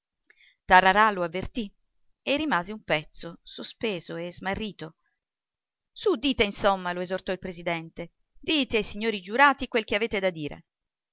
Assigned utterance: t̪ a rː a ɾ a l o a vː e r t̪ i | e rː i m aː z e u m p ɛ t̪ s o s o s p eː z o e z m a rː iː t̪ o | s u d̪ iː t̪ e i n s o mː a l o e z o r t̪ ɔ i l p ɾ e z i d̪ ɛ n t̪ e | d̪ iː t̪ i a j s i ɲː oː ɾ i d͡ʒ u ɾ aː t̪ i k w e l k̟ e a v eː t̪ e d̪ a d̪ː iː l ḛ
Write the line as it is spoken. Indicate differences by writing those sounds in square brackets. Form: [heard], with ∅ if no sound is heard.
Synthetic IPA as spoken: t̪ a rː a ɾ a l o a vː e r t̪ i | e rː i m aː z e u m p ɛ t̪ s o s o s p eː z o e z m a rː iː t̪ o | s u d̪ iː t̪ e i n s o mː a l o e z o r t̪ ɔ i l p ɾ e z i d̪ ɛ n t̪ e | d̪ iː t̪ [e] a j s i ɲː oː ɾ i d͡ʒ u ɾ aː t̪ i k w e l k̟ e a v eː t̪ e d̪ a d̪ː iː [ɾ] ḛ

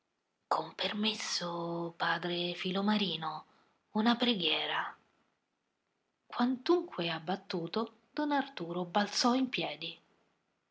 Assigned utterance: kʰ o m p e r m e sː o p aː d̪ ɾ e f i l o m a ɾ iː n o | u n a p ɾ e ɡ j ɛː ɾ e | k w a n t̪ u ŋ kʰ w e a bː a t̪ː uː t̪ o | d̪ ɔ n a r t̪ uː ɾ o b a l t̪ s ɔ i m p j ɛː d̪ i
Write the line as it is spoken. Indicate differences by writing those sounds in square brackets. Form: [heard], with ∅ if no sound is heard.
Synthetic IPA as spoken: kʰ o m p e r m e sː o p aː d̪ ɾ e f i l o m a ɾ iː n o | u n a p ɾ e ɡ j ɛː ɾ [a] | k w a n t̪ u ŋ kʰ w e a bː a t̪ː uː t̪ o | d̪ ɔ n a r t̪ uː ɾ o b a l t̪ s ɔ i m p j ɛː d̪ i

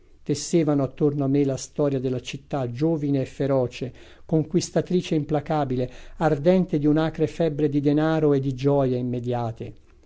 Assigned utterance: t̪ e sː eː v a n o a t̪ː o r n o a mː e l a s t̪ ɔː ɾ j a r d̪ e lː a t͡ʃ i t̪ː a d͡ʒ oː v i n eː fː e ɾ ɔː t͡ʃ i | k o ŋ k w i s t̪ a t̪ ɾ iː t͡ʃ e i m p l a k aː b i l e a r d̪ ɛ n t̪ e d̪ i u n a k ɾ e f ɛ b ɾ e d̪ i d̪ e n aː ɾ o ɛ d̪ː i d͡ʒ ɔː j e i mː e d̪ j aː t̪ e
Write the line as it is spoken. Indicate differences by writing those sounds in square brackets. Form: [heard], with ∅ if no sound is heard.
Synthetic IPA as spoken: t̪ e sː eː v a n o a t̪ː o r n o a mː e l a s t̪ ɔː ɾ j a [∅] d̪ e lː a t͡ʃ i t̪ː a d͡ʒ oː v i n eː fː e ɾ ɔː t͡ʃ [e] | k o ŋ k w i s t̪ a t̪ ɾ iː t͡ʃ e i m p l a k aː b i l e a r d̪ ɛ n t̪ e d̪ i u n a k ɾ e f ɛ b ɾ e d̪ i d̪ e n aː ɾ o [e] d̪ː i d͡ʒ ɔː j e i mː e d̪ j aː t̪ e

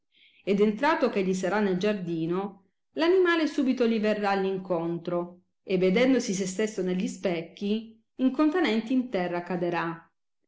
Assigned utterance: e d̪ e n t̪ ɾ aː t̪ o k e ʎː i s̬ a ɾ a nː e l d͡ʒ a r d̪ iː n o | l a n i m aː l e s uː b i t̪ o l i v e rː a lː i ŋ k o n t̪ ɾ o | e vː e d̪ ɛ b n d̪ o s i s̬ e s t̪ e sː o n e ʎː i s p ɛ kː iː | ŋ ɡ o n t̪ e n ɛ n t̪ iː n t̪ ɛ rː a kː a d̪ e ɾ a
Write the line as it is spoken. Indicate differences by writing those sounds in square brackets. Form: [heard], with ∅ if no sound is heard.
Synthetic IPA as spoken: e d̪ e n t̪ ɾ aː t̪ o k e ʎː i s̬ a ɾ a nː e l d͡ʒ a r d̪ iː n o | l a n i m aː l e s uː b i t̪ o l i v e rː a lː i ŋ k o n t̪ ɾ o | e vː e d̪ ɛ [∅] n d̪ o s i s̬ e s t̪ e sː o n e ʎː i s p ɛ kː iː | ŋ [k] o n t̪ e n ɛ n t̪ iː n t̪ ɛ rː a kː a d̪ e ɾ a

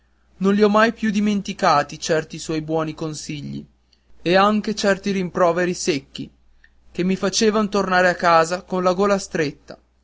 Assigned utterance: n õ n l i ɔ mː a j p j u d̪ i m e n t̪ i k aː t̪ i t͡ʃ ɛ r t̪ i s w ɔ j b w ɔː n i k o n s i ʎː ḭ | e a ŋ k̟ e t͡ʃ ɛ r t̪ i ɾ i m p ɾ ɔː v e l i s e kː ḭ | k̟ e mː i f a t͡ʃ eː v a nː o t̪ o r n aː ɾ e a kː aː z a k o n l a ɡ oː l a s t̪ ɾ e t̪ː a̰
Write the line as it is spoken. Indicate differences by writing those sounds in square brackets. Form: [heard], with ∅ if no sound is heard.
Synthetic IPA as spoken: n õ n l i ɔ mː a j p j u d̪ i m e n t̪ i k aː t̪ i t͡ʃ ɛ r t̪ i s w ɔ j b w ɔː n i k o n s i ʎː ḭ | e a ŋ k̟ e t͡ʃ ɛ r t̪ i ɾ i m p ɾ ɔː v e [ɾ] i s e kː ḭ | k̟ e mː i f a t͡ʃ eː v a [n] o t̪ o r n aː ɾ e a kː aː z a k o n l a ɡ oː l a s t̪ ɾ e t̪ː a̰

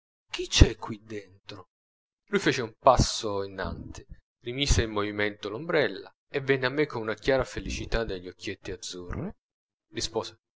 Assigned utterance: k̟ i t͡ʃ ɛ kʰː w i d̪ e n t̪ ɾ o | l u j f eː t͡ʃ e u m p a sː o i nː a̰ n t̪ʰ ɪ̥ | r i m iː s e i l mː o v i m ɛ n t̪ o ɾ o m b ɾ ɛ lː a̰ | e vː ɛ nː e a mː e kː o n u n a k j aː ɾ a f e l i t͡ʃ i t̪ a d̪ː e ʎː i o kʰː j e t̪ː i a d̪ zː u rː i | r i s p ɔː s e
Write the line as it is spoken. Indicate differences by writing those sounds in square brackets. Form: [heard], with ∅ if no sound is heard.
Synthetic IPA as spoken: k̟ i t͡ʃ ɛ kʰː w i d̪ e n t̪ ɾ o | l u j f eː t͡ʃ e u m p a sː o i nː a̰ n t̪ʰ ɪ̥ | r i m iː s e i l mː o v i m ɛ n t̪ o [l] o m b ɾ ɛ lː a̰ | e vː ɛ nː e a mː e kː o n u n a k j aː ɾ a f e l i t͡ʃ i t̪ a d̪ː e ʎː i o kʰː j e t̪ː i a d̪ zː u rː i | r i s p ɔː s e

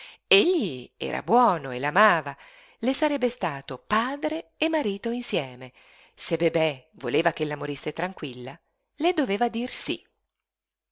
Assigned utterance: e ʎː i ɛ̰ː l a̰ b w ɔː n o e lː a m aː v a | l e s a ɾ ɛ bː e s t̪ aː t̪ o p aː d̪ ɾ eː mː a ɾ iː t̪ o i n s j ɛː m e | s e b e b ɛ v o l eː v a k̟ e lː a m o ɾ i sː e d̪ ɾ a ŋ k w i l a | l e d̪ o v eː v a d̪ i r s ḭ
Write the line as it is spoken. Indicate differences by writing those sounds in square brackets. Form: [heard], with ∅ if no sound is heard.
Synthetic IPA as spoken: e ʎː i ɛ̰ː [ɾ] a̰ b w ɔː n o e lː a m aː v a | l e s a ɾ ɛ bː e s t̪ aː t̪ o p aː d̪ ɾ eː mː a ɾ iː t̪ o i n s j ɛː m e | s e b e b ɛ v o l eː v a k̟ e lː a m o ɾ i sː e [t̪] ɾ a ŋ k w i [lː] a | l e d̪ o v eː v a d̪ i r s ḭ

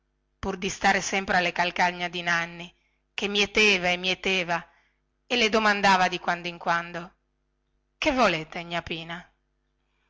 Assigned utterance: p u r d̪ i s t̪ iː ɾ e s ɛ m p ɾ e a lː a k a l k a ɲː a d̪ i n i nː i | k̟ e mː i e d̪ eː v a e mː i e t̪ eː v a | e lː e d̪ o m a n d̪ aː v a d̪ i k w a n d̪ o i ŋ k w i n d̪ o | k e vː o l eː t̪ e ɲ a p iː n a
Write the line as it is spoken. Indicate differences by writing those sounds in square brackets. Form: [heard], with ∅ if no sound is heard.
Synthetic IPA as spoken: p u r d̪ i s t̪ [aː] ɾ e s ɛ m p ɾ e a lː [e] k a l k a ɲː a d̪ i n [a] nː i | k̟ e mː i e [t̪] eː v a e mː i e t̪ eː v a | e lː e d̪ o m a n d̪ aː v a d̪ i k w a n d̪ o i ŋ k w [a] n d̪ o | k e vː o l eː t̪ e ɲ a p iː n a

